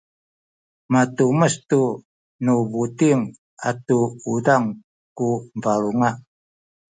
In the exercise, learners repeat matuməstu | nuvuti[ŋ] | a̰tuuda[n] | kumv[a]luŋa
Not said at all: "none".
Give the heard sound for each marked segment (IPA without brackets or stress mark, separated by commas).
ŋ, ŋ, a